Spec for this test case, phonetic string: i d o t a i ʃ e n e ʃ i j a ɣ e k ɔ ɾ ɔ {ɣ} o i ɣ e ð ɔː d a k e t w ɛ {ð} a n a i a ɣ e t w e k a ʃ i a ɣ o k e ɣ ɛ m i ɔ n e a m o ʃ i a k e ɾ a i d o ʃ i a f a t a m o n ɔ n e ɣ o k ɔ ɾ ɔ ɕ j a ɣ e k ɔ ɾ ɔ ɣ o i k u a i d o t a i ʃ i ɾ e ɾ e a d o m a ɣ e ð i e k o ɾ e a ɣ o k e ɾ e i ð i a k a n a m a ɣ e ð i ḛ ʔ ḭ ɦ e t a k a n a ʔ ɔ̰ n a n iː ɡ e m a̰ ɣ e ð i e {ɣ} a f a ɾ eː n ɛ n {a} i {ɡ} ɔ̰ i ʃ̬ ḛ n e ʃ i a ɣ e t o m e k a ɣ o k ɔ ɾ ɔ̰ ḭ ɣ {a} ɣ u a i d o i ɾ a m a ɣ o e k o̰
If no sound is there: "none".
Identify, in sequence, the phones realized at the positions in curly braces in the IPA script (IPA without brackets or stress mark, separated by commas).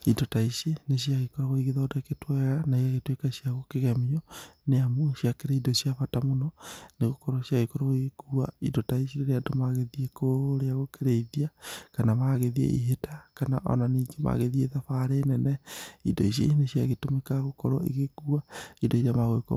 ɣ, ɣ, ð, ɛ, d, e